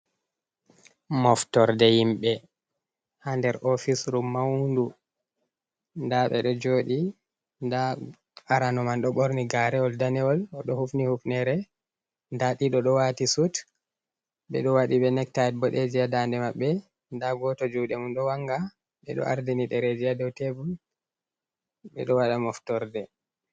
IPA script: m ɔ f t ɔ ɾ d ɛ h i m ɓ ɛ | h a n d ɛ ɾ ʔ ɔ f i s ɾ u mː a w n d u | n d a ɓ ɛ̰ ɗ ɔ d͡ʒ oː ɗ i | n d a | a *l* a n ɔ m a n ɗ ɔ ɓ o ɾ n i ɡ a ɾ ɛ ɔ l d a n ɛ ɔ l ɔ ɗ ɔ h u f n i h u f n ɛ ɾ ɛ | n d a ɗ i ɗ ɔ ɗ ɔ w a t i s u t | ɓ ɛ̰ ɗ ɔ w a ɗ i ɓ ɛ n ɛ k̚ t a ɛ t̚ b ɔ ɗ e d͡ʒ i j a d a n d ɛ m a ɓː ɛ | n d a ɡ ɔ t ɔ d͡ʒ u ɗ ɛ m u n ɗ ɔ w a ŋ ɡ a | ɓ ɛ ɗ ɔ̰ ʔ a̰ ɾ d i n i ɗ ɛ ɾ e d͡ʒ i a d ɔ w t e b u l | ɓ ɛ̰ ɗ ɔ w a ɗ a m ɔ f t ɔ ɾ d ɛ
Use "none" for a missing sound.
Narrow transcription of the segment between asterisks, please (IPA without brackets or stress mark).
ɾ